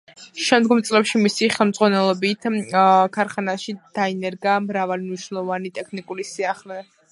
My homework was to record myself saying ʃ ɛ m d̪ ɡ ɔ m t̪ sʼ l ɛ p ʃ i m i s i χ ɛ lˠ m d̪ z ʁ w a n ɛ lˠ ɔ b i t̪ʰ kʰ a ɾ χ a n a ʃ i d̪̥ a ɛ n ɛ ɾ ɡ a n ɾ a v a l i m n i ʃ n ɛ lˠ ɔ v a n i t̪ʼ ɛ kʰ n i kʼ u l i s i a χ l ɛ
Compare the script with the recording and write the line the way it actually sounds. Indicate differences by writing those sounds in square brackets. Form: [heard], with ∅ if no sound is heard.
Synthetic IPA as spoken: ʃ ɛ m d̪ ɡ ɔ m t̪ sʼ l ɛ p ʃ i m i s i χ ɛ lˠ m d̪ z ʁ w a n ɛ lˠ ɔ b i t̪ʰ kʰ a ɾ χ a n a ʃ i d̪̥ a [i] n ɛ ɾ ɡ a [m] ɾ a v a l i m n i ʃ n ɛ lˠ ɔ v a n i t̪ʼ ɛ kʰ n i kʼ u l i s i a χ l ɛ